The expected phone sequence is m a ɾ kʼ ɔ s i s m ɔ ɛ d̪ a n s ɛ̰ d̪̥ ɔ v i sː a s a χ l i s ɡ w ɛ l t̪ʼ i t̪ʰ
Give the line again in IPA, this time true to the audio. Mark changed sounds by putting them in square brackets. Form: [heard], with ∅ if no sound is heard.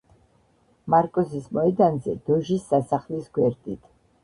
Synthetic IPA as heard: m a ɾ kʼ ɔ s i s m ɔ ɛ d̪ a n [z] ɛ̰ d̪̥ ɔ [ʒ] i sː a s a χ l i s ɡ w ɛ [ɾ] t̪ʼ i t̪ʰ